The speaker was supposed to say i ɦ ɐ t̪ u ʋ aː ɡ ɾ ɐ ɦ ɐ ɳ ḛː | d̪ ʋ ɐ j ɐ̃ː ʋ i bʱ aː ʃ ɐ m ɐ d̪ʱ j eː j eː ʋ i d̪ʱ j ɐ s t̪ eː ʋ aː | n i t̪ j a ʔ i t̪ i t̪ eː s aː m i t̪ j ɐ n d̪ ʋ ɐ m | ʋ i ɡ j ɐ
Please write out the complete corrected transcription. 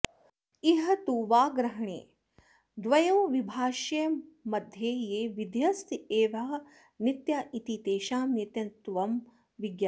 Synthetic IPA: i ɦ ɐ t̪ u ʋ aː ɡ ɾ ɐ ɦ ɐ ɳ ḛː | d̪ ʋ ɐ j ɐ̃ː ʋ i bʱ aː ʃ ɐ m ɐ d̪ʱ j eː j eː ʋ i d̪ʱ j ɐ s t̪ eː ʋ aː | n i t̪ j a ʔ i t̪ i t̪ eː ʃ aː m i t̪ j ɐ n t̪ ʋ ɐ m | ʋ i ɡ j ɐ